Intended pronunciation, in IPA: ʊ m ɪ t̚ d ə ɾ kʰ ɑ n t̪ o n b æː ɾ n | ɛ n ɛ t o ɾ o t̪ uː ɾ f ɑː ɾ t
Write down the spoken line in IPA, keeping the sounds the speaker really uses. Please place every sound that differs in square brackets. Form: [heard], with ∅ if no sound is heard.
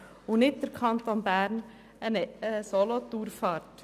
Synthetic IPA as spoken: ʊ [n] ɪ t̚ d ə ɾ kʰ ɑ n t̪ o n b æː ɾ n | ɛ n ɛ [s] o [l] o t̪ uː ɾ f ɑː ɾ t